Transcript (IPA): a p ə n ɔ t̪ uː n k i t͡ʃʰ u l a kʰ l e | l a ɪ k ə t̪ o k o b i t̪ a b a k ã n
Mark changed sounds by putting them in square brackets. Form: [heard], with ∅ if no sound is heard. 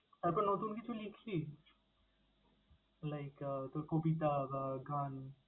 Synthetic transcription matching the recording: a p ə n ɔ t̪ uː n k i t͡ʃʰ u l [i] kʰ l [i] | l a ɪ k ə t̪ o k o b i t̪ a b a [ɡ] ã n